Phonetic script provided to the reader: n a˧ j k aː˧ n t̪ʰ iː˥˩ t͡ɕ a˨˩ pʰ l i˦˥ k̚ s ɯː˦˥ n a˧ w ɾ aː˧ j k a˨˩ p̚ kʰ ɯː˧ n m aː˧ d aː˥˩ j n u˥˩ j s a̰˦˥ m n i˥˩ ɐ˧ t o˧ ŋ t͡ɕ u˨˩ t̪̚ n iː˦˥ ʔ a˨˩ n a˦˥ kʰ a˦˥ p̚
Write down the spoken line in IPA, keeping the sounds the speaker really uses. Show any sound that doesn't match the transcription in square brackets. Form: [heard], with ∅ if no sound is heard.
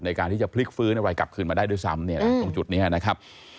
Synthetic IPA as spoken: n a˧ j k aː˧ n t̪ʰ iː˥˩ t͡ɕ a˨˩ pʰ l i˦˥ k̚ [f] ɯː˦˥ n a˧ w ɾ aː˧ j k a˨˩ p̚ kʰ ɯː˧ n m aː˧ d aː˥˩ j [d] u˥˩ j s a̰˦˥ m n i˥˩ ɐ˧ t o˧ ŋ t͡ɕ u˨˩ t̪̚ n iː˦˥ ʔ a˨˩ n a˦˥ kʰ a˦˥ p̚